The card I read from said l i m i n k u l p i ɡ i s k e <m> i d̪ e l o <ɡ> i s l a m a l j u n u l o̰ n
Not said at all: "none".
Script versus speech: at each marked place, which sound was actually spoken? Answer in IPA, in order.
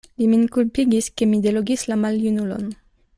m, ɡ

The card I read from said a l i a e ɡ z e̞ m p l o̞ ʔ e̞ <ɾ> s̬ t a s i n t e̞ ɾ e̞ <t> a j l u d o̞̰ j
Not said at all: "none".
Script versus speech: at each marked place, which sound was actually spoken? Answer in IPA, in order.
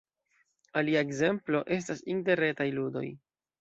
none, t

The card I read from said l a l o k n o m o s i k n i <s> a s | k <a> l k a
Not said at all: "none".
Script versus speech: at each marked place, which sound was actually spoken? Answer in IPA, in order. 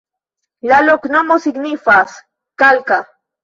f, a

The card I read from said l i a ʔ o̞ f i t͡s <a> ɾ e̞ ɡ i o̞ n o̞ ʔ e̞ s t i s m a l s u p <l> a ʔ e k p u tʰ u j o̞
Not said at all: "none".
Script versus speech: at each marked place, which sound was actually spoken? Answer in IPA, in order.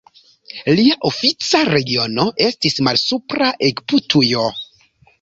a, ɾ

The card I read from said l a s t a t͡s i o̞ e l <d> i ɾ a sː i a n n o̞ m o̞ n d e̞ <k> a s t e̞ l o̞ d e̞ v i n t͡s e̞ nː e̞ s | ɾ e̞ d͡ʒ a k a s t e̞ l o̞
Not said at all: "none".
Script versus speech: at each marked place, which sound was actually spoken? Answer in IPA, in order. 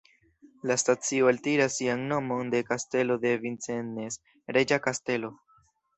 t, k

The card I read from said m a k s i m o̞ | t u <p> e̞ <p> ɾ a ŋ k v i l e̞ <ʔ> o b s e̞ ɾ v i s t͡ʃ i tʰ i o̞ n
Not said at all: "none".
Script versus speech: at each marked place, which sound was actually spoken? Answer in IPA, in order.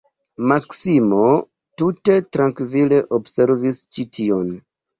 t, t, ʔ

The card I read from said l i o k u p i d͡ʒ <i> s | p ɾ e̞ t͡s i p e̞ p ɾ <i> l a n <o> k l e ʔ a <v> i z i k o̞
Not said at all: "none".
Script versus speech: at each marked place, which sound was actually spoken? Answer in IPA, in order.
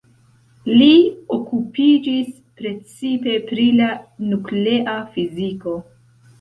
i, i, u, f

